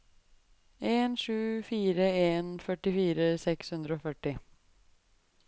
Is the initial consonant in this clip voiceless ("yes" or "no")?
no